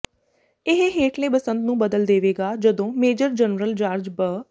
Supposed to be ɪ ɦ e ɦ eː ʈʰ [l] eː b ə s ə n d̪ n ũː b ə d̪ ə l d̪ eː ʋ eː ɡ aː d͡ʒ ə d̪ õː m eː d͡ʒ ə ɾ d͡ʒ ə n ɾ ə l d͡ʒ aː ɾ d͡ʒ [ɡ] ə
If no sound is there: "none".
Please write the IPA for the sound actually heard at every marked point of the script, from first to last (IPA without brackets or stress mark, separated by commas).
l, b